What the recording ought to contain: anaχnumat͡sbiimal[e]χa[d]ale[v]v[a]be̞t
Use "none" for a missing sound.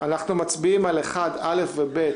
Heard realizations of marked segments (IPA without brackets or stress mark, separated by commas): e, d, f, e